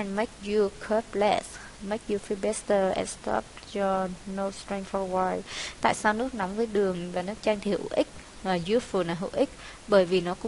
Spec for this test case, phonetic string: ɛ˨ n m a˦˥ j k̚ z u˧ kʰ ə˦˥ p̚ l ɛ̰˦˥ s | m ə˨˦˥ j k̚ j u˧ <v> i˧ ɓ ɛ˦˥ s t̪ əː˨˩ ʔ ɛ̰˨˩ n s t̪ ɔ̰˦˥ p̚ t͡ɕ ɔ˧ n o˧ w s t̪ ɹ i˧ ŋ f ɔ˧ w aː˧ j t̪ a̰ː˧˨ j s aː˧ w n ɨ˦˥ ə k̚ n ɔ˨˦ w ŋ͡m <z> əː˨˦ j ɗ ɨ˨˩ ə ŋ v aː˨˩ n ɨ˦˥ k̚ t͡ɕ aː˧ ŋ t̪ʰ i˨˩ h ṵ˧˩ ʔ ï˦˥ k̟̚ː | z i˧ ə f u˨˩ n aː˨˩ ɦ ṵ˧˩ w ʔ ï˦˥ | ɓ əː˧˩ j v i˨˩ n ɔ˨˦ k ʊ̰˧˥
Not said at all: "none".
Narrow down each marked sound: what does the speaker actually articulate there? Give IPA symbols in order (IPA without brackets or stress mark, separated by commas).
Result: f, v